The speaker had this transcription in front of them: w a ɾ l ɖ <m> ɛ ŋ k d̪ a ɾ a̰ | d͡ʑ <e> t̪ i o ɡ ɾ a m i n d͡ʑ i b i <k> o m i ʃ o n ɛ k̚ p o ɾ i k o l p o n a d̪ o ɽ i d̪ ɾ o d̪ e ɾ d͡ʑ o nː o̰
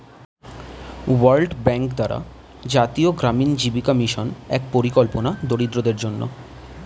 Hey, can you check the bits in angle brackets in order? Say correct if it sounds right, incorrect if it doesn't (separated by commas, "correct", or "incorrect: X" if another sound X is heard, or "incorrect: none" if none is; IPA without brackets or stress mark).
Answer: incorrect: b, incorrect: a, correct